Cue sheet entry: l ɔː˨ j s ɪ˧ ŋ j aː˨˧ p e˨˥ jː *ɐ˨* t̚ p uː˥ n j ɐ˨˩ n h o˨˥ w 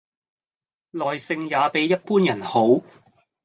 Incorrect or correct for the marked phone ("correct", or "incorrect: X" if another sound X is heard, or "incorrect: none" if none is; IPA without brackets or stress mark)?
incorrect: ɐ˥